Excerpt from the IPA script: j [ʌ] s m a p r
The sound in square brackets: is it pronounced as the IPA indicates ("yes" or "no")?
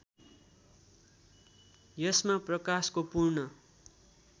yes